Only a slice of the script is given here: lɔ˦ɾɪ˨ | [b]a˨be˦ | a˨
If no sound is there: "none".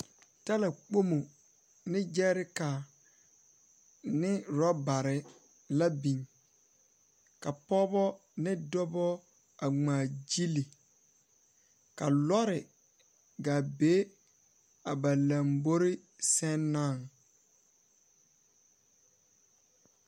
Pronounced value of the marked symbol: ɡ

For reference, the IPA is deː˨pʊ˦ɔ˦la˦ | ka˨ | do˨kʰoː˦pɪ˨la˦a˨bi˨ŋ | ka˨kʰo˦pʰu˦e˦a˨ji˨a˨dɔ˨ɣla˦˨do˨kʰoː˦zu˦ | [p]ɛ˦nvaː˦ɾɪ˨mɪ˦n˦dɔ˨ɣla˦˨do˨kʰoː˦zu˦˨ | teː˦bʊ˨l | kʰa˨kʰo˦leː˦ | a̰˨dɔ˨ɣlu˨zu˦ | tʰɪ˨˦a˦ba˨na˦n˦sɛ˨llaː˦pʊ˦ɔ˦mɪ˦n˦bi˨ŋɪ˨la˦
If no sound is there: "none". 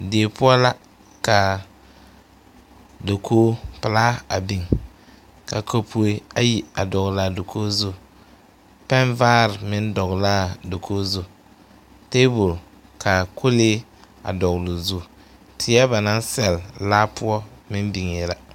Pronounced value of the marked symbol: p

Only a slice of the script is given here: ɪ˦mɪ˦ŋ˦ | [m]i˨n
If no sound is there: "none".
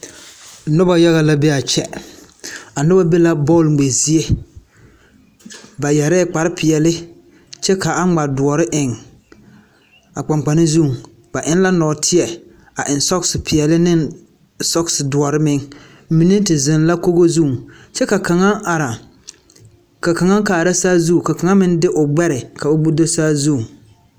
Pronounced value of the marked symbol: m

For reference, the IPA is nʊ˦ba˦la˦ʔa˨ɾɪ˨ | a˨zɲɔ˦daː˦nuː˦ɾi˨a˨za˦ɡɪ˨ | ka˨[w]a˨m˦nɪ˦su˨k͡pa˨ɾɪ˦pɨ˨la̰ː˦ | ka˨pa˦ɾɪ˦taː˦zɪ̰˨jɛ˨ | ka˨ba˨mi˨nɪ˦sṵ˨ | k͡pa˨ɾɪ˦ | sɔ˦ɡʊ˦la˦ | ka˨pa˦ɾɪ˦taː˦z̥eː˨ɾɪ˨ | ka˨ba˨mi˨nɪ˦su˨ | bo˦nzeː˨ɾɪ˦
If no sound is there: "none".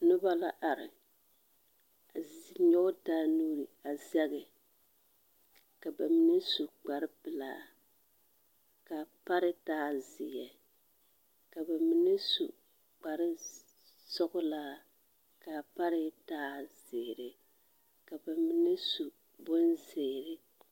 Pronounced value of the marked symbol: b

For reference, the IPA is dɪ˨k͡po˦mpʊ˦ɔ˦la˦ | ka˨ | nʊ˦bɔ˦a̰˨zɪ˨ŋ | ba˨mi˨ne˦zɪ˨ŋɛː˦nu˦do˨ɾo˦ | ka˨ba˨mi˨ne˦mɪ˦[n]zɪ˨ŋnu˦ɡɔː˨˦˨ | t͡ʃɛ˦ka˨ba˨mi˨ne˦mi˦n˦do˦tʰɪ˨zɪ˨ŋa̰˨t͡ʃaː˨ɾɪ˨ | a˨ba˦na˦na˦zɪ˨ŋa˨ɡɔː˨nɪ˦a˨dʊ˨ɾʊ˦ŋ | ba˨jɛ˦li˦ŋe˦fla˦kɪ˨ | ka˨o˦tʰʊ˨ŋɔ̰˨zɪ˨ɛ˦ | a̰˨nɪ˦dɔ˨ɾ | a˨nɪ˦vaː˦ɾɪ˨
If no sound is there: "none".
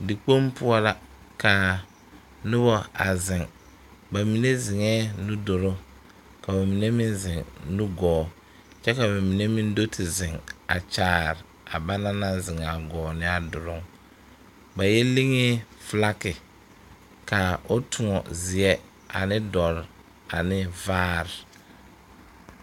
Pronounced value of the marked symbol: n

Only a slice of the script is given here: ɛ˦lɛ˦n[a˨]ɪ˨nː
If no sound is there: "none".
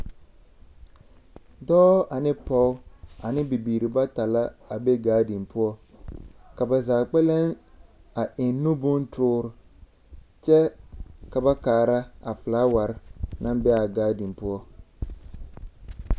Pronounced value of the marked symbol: a˨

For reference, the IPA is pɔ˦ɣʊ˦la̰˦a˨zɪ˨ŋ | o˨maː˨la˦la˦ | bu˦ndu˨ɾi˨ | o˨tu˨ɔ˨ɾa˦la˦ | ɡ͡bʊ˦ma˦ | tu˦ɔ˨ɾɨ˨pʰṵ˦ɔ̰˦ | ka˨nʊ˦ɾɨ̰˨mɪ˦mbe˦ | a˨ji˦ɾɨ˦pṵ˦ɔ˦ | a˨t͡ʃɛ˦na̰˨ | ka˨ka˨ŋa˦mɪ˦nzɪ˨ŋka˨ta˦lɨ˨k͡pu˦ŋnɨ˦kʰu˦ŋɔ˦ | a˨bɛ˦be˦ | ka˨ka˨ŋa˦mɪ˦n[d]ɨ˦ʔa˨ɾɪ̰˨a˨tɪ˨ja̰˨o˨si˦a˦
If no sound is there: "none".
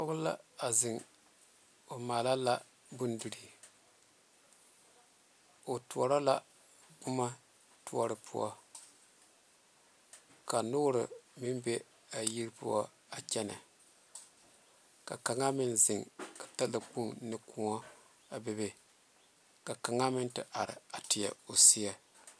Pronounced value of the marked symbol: t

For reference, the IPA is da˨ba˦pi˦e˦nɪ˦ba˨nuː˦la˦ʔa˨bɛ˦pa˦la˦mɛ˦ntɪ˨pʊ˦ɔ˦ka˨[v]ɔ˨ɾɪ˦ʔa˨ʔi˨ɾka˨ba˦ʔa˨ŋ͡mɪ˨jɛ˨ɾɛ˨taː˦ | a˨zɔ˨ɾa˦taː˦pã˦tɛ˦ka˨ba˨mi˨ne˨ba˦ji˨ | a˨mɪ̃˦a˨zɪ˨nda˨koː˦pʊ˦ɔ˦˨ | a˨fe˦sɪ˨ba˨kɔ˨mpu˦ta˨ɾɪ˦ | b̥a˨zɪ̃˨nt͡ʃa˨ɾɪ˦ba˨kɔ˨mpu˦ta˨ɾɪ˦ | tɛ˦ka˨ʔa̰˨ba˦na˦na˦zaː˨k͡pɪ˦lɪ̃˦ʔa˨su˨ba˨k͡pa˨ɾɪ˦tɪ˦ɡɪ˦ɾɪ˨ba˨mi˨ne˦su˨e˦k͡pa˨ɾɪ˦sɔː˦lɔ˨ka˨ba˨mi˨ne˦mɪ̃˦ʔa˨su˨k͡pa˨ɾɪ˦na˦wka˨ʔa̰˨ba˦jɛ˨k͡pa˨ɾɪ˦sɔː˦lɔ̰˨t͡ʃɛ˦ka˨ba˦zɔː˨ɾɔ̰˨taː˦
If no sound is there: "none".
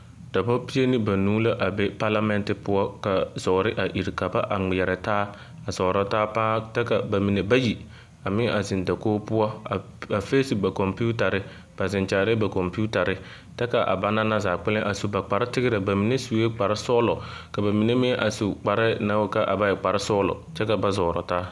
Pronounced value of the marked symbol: z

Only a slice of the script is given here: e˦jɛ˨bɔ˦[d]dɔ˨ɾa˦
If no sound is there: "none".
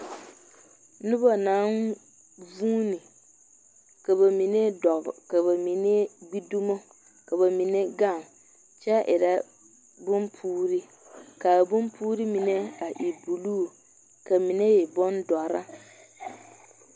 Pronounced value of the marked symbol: n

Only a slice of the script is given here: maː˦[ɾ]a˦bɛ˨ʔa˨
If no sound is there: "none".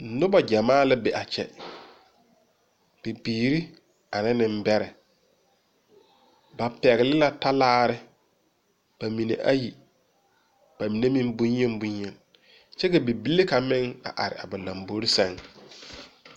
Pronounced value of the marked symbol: l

